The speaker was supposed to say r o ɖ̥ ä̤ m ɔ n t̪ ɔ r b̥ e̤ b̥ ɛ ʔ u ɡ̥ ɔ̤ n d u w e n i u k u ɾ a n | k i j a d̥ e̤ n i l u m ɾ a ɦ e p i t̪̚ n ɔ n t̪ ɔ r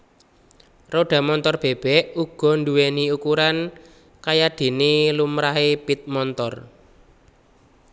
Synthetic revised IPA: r o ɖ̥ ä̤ m ɔ n t̪ ɔ r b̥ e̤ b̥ ɛ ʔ u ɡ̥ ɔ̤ n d u w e n i u k u ɾ a n | k a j a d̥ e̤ n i l u m ɾ a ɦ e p i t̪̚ m ɔ n t̪ ɔ r